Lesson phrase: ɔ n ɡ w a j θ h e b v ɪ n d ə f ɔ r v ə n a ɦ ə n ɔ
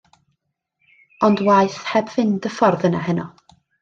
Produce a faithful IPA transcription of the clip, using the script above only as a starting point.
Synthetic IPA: ɔ n d w a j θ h ɛ b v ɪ n d ə f ɔ r ð ə n a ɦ ə n ɔ